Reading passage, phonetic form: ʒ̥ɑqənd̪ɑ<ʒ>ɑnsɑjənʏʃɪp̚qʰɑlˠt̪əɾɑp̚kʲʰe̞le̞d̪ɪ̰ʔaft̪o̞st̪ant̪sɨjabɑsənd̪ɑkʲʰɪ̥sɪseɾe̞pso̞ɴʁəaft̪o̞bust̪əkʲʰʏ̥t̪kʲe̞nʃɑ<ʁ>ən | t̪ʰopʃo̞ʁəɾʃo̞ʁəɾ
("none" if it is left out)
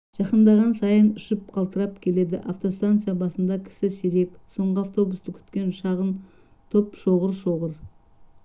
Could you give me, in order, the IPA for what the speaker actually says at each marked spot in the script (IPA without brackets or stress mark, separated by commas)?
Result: ʁ, ʁ